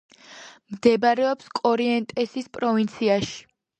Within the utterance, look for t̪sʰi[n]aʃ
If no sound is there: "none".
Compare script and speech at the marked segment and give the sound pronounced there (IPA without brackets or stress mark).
none